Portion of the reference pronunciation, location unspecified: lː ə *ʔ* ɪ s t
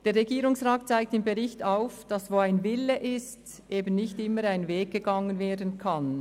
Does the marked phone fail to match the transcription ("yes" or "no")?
no